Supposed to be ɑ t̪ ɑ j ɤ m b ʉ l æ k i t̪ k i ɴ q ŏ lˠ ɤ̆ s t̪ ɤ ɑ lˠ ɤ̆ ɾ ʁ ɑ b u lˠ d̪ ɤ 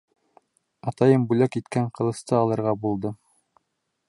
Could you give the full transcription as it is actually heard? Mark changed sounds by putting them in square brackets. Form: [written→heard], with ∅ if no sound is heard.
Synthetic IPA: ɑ t̪ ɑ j ɤ m b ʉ l æ k i t̪ k [i→æ] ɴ q [ŏ→ɤ̆] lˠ ɤ̆ s t̪ ɤ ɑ lˠ ɤ̆ ɾ ʁ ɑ b u lˠ d̪ ɤ